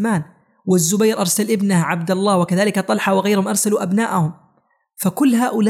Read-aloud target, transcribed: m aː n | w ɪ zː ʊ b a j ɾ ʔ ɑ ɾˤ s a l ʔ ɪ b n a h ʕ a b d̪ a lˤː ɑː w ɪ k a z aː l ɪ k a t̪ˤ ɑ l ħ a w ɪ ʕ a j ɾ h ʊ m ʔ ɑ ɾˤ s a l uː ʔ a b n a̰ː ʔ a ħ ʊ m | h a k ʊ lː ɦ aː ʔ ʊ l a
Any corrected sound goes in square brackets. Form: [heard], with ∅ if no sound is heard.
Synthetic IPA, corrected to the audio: m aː n | w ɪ zː ʊ b a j ɾ ʔ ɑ ɾˤ s a l ʔ ɪ b n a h ʕ a b d̪ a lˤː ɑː w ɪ k a [ð] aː l ɪ k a t̪ˤ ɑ l ħ a w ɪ [ɣ] a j ɾ h ʊ m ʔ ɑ ɾˤ s a l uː ʔ a b n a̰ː ʔ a [h] ʊ m | [f] a k ʊ lː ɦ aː ʔ ʊ l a